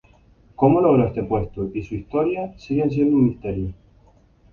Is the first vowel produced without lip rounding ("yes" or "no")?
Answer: no